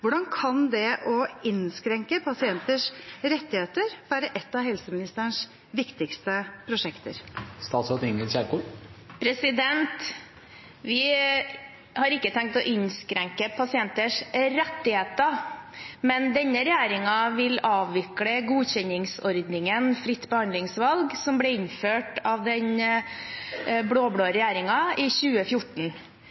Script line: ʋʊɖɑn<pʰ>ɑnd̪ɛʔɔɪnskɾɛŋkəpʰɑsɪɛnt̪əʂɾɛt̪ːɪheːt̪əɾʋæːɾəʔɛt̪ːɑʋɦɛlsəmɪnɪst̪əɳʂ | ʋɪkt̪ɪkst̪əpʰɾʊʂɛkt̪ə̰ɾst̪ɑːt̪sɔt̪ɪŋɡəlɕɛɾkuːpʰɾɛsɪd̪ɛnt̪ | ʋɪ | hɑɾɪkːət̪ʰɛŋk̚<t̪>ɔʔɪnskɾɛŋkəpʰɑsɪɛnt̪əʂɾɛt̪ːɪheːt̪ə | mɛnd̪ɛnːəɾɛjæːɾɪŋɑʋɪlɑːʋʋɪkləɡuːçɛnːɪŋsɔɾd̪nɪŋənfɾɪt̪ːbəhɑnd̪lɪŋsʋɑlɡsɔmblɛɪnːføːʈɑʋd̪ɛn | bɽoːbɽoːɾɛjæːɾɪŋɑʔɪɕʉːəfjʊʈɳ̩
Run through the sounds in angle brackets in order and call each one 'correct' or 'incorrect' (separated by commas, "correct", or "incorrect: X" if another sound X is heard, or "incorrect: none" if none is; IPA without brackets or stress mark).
incorrect: kʰ, correct